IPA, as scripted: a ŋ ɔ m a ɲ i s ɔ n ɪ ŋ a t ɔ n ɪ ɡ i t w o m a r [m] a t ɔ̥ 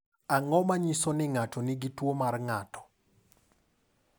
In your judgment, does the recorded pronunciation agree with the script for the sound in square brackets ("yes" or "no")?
no